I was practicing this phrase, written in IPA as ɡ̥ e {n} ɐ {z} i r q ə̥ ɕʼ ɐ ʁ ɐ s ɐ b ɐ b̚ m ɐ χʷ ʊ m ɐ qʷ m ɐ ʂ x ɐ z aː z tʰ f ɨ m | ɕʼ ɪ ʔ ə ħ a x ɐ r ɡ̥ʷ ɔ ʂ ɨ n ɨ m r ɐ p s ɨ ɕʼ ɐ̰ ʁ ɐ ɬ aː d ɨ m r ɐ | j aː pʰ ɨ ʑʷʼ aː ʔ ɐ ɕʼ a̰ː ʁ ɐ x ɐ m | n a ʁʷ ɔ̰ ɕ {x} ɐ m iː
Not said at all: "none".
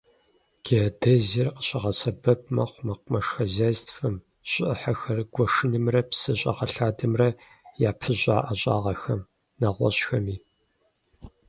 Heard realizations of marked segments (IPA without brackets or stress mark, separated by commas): d, z, x